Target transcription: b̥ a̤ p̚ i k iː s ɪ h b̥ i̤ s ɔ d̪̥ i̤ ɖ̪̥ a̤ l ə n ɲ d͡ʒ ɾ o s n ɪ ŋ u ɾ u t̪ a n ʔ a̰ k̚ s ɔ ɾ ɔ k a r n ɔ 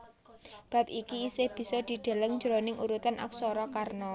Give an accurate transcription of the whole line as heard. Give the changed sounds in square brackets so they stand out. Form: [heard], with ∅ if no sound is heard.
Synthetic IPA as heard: b̥ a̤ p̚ i k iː s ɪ h b̥ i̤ s ɔ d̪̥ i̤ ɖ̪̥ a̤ l ə [ŋ] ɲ d͡ʒ ɾ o [∅] n ɪ ŋ u ɾ u t̪ a n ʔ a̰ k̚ s ɔ ɾ ɔ k a r n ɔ